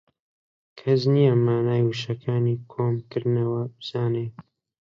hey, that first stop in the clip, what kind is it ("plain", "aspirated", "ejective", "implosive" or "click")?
aspirated